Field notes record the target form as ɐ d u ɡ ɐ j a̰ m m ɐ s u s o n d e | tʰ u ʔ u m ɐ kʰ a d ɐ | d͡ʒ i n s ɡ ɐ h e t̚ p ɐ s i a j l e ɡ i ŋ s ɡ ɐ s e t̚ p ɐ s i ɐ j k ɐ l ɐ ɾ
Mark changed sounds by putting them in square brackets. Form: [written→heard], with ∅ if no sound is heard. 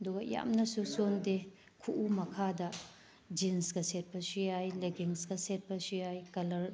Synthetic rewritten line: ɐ d u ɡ ɐ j a̰ m [m→n] ɐ s u s o n d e | [tʰ→kʰ] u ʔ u m ɐ kʰ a d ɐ | d͡ʒ i n s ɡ ɐ [h→s] e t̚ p ɐ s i a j l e ɡ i ŋ s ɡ ɐ s e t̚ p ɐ s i [ɐ→a] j k ɐ l ɐ ɾ